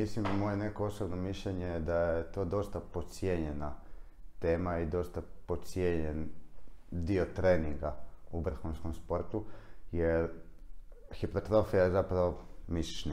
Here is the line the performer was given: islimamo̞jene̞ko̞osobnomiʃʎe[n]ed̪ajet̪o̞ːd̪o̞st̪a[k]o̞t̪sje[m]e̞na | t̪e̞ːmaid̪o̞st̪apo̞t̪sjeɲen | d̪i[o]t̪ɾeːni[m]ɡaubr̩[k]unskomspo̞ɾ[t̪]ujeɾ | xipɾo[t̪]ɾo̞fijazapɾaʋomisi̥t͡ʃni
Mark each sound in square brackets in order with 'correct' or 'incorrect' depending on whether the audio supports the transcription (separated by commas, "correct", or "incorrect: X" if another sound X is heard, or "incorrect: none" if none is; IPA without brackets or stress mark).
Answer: incorrect: ɲ, incorrect: p, incorrect: ɲ, correct, incorrect: ŋ, incorrect: x, correct, correct